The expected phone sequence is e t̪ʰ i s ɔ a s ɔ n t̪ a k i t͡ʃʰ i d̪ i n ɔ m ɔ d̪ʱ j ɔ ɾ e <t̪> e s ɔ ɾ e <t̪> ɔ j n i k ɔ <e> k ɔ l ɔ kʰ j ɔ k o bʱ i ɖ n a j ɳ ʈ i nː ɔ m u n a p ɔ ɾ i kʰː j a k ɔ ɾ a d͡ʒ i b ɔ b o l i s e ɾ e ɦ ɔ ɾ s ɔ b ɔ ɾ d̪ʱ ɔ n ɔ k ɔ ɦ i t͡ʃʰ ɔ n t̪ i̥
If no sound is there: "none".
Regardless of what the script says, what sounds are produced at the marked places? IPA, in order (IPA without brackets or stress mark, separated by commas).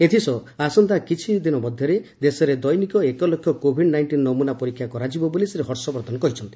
d̪, d̪, e